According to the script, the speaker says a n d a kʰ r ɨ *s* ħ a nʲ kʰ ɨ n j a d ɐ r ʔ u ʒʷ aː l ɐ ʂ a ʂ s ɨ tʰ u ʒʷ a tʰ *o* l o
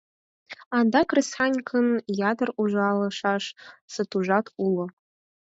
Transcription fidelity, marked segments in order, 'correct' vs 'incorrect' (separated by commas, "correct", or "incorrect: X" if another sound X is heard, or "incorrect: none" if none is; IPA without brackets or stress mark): correct, incorrect: u